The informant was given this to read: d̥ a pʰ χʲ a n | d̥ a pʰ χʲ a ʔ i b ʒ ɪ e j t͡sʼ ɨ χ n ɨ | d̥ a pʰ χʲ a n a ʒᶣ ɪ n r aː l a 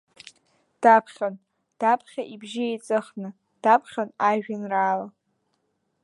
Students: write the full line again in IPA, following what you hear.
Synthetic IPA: d̥ a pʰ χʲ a n | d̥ a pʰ χʲ a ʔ i b ʒ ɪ e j t͡sʼ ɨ χ n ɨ | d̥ a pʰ χʲ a n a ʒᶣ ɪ n r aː l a